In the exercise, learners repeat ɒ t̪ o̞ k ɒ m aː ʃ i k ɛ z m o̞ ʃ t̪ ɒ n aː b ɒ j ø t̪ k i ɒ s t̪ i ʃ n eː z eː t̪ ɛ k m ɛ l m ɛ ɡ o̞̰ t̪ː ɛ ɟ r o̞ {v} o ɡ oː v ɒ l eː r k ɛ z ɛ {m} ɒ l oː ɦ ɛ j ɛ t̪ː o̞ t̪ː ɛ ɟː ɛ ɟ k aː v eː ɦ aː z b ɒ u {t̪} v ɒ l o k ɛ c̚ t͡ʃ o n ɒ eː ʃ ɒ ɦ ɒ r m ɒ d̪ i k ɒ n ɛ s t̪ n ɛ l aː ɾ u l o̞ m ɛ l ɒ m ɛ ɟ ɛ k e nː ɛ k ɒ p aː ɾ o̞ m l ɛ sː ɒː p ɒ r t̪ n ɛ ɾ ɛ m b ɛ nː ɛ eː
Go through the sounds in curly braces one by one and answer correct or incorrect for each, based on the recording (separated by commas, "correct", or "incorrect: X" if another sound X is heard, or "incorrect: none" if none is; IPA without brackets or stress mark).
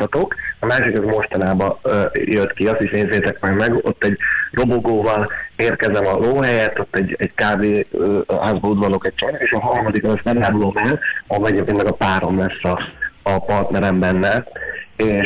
incorrect: b, correct, incorrect: d̪